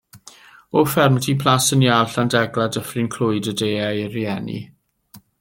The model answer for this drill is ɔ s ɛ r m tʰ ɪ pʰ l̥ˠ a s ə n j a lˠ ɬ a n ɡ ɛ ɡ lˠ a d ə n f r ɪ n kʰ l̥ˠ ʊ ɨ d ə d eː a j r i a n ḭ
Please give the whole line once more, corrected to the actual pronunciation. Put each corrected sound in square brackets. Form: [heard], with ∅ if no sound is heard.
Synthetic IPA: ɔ [f] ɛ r m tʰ [i] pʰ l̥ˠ a s ə n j a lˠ ɬ a n [d] ɛ ɡ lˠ a d ə [∅] f r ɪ n kʰ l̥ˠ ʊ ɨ d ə d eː a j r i [ɛ] n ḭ